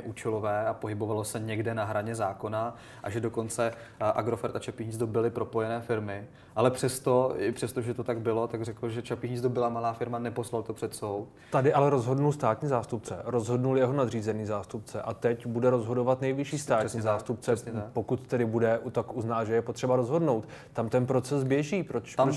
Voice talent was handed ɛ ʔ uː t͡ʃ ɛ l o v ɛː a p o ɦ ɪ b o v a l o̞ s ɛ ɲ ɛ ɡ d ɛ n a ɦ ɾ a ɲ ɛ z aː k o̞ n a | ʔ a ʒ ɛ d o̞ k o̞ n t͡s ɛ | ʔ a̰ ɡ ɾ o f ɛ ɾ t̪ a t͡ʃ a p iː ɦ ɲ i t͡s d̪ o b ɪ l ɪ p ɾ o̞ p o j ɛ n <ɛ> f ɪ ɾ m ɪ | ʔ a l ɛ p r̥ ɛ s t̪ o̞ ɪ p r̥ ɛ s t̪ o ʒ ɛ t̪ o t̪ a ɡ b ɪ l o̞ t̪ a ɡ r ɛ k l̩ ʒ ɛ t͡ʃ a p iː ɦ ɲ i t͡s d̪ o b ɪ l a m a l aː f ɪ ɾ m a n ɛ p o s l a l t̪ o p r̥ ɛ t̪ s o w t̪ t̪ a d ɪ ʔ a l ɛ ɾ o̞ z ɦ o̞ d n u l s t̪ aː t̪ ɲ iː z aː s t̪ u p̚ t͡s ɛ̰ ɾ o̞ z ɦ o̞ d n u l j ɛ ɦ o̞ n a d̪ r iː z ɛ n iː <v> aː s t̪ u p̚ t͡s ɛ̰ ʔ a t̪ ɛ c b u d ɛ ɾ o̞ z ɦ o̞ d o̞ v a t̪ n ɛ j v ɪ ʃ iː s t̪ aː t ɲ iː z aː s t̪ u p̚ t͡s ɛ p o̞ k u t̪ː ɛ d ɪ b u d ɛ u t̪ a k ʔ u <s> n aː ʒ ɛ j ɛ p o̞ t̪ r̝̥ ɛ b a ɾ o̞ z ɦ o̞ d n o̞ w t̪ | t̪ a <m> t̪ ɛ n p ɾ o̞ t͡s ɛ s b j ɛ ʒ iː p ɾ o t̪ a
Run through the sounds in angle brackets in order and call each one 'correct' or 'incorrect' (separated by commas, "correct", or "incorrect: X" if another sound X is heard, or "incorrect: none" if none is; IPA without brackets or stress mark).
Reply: incorrect: ɛː, incorrect: z, incorrect: z, correct